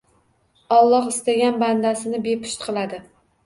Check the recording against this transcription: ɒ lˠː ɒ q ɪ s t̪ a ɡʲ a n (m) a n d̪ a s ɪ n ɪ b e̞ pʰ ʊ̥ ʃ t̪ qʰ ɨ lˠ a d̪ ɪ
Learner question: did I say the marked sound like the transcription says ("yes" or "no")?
no